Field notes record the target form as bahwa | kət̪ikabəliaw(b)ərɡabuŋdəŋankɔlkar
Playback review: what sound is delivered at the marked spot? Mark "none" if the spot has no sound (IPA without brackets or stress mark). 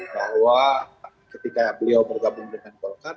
b